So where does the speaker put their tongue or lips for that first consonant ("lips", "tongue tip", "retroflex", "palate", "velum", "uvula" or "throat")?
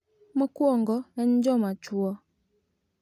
lips